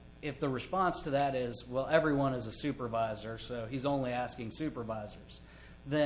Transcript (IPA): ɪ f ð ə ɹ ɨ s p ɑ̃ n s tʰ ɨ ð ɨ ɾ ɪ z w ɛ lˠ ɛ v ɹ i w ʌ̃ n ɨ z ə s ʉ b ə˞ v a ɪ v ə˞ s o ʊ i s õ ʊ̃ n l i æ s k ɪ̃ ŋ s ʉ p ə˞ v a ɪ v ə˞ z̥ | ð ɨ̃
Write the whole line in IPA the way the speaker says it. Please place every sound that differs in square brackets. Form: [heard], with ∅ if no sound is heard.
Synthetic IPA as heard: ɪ f ð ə ɹ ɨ s p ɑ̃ n s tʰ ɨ ð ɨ ɾ ɪ z w ɛ lˠ ɛ v ɹ i w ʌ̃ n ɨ z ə s ʉ [p] ə˞ v a ɪ [z] ə˞ s o ʊ i [z] õ ʊ̃ n l i æ s k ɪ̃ ŋ s ʉ p ə˞ v a ɪ [z] ə˞ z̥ | ð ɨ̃